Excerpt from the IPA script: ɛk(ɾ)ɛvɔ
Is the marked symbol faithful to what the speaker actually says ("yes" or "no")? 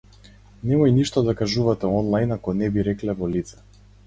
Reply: no